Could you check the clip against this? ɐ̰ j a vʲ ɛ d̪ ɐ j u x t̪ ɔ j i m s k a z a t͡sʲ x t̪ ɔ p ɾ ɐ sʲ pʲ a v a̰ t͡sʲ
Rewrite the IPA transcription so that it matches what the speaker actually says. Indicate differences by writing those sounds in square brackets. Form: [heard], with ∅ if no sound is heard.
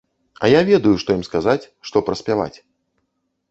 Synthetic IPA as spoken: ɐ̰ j a vʲ ɛ d̪ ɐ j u [ʂ] t̪ ɔ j i m s k a z a t͡sʲ [ʂ] t̪ ɔ p ɾ ɐ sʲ pʲ a v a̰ t͡sʲ